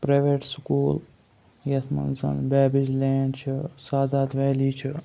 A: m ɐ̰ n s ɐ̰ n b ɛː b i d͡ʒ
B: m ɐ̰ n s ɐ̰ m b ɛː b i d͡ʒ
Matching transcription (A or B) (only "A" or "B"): A